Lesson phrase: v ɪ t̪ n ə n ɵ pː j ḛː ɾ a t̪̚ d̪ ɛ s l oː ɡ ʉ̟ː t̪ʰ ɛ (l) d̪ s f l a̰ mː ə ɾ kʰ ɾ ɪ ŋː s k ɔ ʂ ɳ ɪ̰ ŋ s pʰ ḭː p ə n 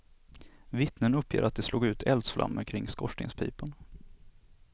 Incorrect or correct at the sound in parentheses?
correct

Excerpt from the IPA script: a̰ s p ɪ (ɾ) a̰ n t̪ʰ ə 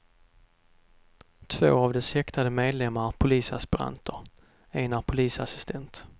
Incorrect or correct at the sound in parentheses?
correct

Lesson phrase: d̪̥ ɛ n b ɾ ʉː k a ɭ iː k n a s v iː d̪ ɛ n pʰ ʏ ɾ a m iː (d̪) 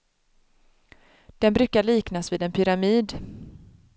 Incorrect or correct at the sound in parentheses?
correct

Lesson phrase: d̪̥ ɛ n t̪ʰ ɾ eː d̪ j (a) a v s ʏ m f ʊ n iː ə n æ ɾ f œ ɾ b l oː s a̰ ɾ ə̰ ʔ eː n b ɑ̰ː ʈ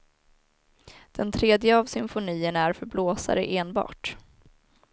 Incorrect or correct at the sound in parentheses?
incorrect: ə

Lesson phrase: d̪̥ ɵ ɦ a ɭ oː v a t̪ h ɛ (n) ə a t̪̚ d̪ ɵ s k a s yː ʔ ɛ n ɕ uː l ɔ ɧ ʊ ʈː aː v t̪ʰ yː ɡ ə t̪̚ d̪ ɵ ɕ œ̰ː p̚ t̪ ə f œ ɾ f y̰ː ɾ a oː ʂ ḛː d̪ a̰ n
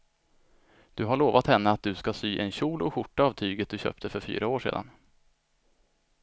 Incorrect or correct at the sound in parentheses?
incorrect: nː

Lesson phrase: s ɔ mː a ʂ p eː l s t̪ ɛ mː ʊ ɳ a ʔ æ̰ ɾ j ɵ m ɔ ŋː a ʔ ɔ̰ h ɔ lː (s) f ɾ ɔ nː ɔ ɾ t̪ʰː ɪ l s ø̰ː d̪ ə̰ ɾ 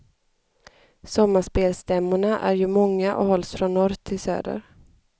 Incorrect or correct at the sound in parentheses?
correct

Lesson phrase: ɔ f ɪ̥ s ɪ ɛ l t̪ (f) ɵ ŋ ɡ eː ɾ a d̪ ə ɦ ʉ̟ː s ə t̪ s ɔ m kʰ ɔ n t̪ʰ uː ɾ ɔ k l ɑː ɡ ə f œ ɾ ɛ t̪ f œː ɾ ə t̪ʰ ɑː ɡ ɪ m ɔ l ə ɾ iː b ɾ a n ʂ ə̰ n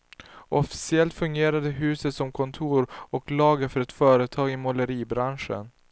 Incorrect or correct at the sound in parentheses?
correct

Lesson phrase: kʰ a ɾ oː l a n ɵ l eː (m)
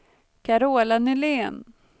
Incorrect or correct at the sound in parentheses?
incorrect: n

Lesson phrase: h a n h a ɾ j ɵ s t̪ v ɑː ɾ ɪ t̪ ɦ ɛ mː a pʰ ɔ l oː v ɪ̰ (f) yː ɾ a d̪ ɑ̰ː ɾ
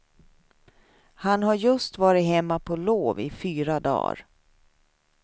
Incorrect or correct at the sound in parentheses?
correct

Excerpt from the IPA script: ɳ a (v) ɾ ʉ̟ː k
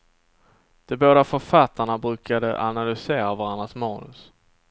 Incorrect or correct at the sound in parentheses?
incorrect: b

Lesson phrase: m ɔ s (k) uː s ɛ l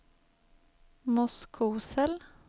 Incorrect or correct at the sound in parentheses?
incorrect: kʰ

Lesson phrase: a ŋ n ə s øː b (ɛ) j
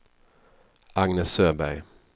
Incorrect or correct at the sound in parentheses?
incorrect: æ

